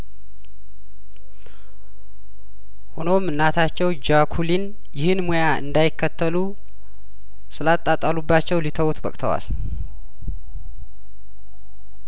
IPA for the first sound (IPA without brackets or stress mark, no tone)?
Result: h